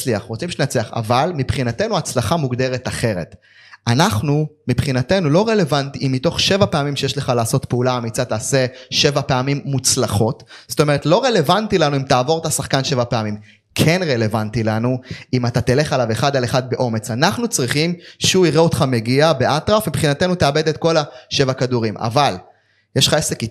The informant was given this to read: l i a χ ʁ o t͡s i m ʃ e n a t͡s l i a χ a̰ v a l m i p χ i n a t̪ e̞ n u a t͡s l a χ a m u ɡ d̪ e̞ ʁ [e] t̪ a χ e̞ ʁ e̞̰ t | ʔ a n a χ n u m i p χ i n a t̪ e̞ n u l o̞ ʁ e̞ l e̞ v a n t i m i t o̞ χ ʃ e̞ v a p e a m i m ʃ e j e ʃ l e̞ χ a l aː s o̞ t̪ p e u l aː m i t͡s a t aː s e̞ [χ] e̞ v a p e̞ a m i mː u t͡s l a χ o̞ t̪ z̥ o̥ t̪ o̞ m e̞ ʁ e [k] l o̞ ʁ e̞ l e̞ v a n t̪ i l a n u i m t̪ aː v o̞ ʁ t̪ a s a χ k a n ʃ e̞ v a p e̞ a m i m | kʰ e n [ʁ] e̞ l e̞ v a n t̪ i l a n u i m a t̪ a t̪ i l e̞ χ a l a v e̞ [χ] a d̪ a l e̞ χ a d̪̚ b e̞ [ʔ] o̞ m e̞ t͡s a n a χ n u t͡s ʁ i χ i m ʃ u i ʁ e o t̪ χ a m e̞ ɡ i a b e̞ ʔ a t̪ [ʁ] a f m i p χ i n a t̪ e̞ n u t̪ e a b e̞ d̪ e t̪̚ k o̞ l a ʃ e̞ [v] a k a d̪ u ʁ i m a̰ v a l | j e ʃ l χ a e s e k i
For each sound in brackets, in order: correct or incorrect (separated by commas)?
correct, incorrect, incorrect, correct, correct, correct, correct, correct